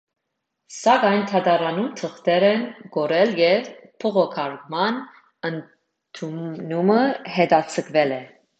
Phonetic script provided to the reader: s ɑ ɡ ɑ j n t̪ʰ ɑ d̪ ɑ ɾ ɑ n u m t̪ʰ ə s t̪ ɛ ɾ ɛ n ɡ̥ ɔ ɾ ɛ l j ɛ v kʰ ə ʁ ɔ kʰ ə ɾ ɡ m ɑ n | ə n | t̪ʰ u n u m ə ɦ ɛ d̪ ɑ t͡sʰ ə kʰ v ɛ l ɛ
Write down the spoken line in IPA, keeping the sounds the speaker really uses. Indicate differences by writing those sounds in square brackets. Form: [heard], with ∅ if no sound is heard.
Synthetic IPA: s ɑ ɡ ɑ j n t̪ʰ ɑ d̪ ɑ ɾ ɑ n u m t̪ʰ ə [χ] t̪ ɛ ɾ ɛ n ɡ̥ ɔ ɾ ɛ l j ɛ v [pʰ] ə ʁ ɔ kʰ [ɑ] ɾ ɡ m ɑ n | ə n | t̪ʰ u n u m ə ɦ ɛ d̪ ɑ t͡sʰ ə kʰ v ɛ l ɛ

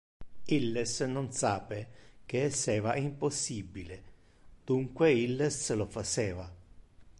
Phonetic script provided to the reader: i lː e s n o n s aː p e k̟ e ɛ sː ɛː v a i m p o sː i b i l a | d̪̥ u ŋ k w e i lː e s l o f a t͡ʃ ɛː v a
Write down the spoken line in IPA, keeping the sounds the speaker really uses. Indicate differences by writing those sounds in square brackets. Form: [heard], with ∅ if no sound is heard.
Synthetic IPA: i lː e s n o n s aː p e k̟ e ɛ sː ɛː v a i m p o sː i b i l [e] | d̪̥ u ŋ k w e i lː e s l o f a t͡ʃ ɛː v a

